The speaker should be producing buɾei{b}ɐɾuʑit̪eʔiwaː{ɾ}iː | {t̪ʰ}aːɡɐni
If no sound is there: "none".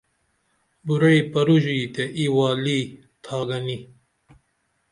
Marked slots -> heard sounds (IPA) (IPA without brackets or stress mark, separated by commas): p, l, t̪ʰ